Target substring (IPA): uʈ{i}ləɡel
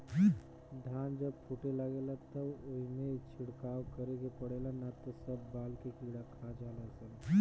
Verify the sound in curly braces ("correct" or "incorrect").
incorrect